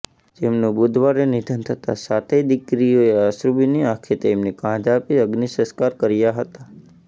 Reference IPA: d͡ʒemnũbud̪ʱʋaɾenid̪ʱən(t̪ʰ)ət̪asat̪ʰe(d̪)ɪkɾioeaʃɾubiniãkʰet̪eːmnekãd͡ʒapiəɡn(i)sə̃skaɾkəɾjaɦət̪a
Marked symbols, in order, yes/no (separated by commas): yes, yes, yes